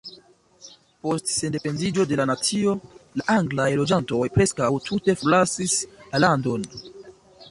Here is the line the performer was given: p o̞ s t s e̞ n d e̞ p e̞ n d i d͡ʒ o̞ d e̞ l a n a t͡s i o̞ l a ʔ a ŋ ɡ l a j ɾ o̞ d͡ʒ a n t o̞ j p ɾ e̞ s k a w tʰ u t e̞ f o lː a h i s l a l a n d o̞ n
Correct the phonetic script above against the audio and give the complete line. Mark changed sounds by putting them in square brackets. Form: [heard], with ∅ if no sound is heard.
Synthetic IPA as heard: p o̞ s t s e̞ n d e̞ p e̞ n d i d͡ʒ o̞ d e̞ l a n a t͡s i o̞ l a ʔ a ŋ ɡ l a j [l] o̞ d͡ʒ a n t o̞ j p ɾ e̞ s k a w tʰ u t e̞ f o [l] a [s] i s l a l a n d o̞ n